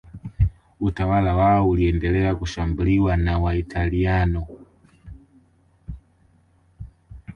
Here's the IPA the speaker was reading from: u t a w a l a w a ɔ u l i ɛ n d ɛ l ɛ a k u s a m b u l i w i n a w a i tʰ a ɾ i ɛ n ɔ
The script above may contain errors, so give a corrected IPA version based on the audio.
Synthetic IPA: u t a w a l a w a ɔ u l i ɛ n d ɛ l ɛ a k u ʃ a m b u l i w a n a w a i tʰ a l i a n ɔ